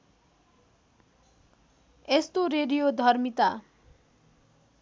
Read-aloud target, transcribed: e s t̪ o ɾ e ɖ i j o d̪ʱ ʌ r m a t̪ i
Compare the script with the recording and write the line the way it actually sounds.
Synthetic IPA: e s t̪ o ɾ e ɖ i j o d̪ʱ ʌ r m i t̪ a